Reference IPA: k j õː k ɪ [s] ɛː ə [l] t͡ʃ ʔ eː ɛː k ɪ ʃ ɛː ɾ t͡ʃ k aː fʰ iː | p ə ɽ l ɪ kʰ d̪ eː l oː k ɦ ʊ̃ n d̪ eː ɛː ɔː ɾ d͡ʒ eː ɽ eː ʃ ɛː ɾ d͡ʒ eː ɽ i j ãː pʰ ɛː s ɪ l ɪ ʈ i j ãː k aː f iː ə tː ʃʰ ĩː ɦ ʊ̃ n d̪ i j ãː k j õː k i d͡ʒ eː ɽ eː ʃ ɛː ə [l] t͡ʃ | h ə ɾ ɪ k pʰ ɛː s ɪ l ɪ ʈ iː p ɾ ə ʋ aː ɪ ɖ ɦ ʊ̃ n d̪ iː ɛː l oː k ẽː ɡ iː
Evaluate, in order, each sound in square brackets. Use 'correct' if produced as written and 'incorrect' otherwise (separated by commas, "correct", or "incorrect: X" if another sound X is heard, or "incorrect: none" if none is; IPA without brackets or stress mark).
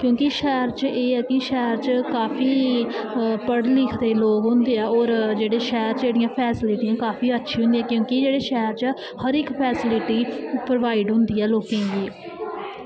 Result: incorrect: ʃ, incorrect: ɾ, incorrect: ɾ